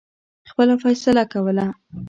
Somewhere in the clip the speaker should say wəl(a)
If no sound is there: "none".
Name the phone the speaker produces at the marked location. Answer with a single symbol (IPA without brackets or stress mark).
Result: a